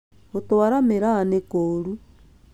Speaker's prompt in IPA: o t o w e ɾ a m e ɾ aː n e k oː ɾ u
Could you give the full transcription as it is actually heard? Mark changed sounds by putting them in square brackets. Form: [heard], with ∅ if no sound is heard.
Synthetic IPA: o t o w [a] ɾ a m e ɾ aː n e k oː ɾ u